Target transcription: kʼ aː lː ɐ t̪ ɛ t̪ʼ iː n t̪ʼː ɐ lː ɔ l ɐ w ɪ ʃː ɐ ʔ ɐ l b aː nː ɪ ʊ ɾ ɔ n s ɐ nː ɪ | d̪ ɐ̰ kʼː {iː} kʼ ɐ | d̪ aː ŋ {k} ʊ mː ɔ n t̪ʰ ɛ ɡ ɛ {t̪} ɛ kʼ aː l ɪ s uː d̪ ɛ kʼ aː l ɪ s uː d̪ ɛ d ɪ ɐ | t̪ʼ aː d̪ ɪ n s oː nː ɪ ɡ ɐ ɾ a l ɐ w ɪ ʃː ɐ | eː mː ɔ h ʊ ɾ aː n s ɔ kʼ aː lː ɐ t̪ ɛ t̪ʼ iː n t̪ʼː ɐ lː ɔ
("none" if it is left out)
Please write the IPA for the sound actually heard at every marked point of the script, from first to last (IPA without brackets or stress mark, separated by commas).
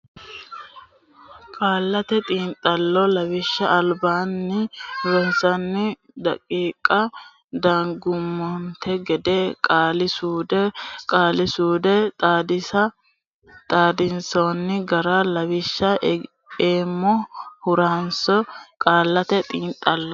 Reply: iː, ɡ, d̪